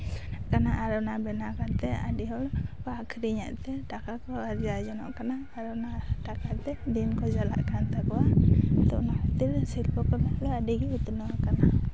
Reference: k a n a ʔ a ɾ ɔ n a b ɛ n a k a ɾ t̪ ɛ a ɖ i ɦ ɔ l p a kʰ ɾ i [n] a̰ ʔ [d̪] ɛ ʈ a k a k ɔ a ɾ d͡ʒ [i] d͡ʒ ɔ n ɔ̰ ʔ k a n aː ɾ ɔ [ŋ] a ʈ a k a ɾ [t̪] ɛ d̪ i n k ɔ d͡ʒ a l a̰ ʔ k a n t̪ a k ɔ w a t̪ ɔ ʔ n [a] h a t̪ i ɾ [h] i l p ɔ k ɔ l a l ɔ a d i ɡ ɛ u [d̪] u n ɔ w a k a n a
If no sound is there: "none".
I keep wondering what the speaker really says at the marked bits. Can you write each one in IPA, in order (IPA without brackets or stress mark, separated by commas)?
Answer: ɲ, t̪, a, n, t̪, a, s, t̪